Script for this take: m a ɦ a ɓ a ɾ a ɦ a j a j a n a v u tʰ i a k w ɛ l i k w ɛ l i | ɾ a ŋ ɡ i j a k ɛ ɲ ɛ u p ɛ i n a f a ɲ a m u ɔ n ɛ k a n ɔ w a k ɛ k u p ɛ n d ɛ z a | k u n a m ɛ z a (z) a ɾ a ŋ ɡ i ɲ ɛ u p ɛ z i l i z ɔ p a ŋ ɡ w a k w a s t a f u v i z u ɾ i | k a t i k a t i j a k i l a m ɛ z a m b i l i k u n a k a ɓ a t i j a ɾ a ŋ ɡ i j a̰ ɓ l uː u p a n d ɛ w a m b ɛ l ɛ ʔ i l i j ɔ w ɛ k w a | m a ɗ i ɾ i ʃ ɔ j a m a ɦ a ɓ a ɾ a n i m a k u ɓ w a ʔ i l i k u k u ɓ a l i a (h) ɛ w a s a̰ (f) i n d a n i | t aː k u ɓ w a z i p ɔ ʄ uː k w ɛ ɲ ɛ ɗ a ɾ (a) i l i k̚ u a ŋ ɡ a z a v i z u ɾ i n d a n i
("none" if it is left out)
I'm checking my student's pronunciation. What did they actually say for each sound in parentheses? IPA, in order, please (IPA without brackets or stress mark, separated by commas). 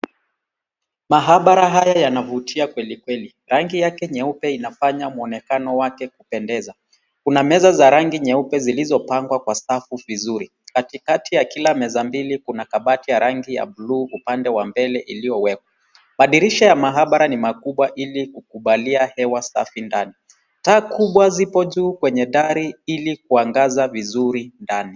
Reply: z, h, f, i